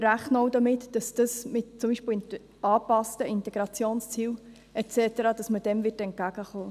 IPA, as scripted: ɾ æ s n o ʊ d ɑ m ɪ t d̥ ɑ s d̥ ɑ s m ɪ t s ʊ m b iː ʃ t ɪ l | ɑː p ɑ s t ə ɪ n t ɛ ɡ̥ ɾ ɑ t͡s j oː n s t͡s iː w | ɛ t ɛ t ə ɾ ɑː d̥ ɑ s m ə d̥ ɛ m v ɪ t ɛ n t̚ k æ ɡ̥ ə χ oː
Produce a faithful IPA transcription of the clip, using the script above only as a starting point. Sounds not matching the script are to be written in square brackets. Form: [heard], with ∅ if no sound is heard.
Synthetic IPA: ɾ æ [χ] n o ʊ d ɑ m ɪ t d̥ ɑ s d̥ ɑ s m ɪ t [t͡s] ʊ m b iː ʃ [p] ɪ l | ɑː p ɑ s t ə ɪ n t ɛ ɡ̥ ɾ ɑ t͡s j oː n s t͡s iː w | ɛ [t͡s] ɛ t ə ɾ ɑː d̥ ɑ s m ə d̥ ɛ m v ɪ t ɛ n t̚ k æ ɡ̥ ə χ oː